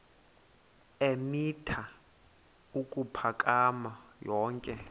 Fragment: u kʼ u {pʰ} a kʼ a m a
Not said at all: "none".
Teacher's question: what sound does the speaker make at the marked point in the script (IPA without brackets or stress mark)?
pʰ